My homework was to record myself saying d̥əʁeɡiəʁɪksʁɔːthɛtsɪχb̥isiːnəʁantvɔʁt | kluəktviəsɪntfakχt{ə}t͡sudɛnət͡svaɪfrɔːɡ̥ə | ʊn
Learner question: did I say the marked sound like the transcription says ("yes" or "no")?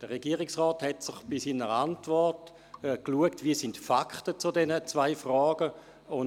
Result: yes